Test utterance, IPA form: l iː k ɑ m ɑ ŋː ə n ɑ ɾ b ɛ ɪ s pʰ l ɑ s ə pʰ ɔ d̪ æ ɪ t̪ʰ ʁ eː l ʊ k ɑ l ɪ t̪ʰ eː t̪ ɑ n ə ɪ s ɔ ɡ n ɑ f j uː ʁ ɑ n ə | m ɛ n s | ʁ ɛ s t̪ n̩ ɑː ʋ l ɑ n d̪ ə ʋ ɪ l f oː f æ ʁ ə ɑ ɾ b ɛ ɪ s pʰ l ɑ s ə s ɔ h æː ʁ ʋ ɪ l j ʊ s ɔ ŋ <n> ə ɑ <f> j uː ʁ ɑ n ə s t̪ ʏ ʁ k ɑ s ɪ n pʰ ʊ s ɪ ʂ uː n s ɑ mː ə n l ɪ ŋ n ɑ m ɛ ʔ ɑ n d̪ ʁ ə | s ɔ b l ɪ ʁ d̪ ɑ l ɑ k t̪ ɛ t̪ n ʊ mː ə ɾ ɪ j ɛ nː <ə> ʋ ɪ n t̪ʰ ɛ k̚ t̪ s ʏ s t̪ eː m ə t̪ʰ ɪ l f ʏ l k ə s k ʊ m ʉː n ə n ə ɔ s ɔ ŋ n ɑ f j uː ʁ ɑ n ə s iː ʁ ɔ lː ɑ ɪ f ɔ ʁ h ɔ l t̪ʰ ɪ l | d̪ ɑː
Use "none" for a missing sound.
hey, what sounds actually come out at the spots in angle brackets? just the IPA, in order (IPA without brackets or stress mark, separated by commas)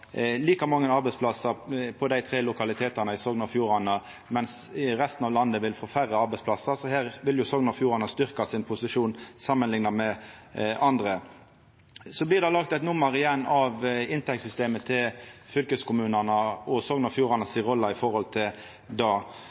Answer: n, f, ɑ